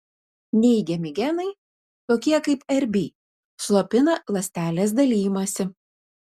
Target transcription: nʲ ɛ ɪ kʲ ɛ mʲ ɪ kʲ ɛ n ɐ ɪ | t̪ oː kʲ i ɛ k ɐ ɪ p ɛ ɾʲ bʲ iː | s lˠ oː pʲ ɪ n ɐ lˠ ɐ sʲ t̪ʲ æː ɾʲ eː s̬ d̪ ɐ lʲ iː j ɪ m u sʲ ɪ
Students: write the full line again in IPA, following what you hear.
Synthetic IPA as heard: nʲ ɛ ɪ ɡʲ ɛ mʲ ɪ ɡʲ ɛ n ɐ ɪ | t̪ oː kʲ i ɛ k ɐ ɪ p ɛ ɾʲ bʲ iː | s lˠ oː pʲ ɪ n ɐ lˠ ɐ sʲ t̪ʲ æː lʲ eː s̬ d̪ ɐ lʲ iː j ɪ m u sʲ ɪ